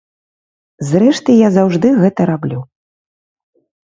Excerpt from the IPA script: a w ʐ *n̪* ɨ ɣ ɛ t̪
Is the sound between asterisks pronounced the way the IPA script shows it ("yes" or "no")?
no